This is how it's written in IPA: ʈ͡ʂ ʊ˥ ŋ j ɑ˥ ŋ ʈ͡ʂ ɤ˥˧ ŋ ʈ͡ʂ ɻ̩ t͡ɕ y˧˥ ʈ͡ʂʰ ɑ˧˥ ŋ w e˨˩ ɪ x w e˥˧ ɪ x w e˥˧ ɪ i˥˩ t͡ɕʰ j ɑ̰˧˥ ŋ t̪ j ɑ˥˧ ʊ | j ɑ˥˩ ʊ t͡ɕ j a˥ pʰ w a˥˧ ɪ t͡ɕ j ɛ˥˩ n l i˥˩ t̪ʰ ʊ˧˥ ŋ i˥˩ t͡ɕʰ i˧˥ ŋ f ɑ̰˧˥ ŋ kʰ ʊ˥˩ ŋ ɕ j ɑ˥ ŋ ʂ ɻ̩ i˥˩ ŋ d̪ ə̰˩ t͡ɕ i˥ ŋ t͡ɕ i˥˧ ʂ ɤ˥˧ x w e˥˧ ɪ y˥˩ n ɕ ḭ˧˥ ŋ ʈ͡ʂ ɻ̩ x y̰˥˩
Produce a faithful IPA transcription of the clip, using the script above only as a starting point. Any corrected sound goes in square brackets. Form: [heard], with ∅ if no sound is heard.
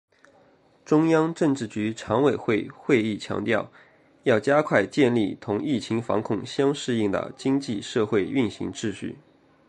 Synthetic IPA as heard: ʈ͡ʂ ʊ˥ ŋ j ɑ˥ ŋ ʈ͡ʂ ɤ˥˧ ŋ ʈ͡ʂ ɻ̩ t͡ɕ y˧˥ ʈ͡ʂʰ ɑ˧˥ ŋ w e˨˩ ɪ x w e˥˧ ɪ x w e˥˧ ɪ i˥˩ t͡ɕʰ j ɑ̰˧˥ ŋ t̪ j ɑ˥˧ ʊ | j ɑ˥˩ ʊ t͡ɕ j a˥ [kʰ] w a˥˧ ɪ t͡ɕ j [ɛ˥˧] n l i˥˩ t̪ʰ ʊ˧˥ ŋ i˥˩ t͡ɕʰ i˧˥ ŋ f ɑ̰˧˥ ŋ kʰ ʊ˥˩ ŋ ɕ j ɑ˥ ŋ ʂ ɻ̩ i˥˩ ŋ d̪ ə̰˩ t͡ɕ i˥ ŋ t͡ɕ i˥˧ ʂ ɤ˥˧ x w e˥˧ ɪ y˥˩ n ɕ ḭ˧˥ ŋ ʈ͡ʂ ɻ̩ [ɕ] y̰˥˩